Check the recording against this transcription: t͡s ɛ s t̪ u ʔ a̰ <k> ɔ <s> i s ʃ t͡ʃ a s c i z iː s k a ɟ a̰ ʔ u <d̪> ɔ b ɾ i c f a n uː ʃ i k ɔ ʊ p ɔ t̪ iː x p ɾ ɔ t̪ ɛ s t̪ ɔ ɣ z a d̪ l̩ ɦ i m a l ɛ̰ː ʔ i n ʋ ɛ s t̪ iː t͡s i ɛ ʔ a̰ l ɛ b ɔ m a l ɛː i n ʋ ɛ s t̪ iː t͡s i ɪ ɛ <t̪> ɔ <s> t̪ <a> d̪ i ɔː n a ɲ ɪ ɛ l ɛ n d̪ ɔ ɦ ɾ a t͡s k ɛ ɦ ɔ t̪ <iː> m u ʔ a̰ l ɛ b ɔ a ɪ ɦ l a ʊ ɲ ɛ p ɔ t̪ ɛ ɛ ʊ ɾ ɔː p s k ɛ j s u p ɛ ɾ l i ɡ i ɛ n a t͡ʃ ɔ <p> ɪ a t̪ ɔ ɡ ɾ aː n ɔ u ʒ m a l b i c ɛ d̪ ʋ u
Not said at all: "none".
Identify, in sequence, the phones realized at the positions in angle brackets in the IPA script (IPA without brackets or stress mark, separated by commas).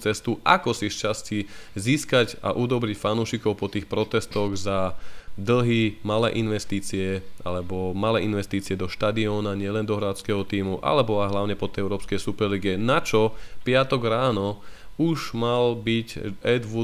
k, s, d̪, d̪, ʃ, a, iː, p